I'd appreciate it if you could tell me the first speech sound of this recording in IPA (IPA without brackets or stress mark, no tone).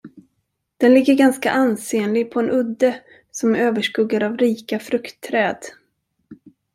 d̪̥